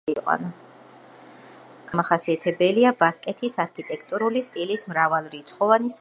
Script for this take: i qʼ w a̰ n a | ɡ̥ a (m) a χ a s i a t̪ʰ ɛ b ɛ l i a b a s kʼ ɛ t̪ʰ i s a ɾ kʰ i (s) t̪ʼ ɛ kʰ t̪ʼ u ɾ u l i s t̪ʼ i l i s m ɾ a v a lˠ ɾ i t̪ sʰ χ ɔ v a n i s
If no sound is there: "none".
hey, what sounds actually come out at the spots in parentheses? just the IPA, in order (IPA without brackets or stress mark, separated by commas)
m, none